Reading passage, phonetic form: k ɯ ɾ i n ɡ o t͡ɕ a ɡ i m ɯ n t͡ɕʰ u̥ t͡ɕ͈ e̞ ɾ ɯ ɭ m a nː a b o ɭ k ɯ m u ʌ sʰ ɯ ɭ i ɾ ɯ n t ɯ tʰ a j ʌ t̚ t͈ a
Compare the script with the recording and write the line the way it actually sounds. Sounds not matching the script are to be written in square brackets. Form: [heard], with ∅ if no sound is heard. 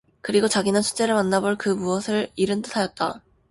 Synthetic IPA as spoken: k ɯ ɾ i [∅] ɡ o t͡ɕ a ɡ i [n] ɯ n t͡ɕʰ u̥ t͡ɕ͈ e̞ ɾ ɯ ɭ m a nː a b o ɭ k ɯ m u ʌ sʰ ɯ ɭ i ɾ ɯ n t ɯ tʰ a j ʌ t̚ t͈ a